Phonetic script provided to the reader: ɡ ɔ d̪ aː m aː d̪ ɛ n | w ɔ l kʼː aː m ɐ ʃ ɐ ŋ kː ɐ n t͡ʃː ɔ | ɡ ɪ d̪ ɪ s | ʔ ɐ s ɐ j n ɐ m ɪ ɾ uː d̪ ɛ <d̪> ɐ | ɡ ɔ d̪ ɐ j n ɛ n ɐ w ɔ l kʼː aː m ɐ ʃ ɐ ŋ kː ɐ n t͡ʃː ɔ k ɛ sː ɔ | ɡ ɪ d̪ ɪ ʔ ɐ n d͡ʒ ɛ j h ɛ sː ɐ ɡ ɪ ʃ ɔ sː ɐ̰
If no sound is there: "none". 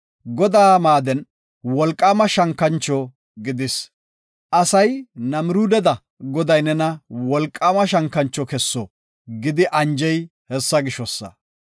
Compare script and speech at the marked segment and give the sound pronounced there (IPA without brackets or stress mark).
d̪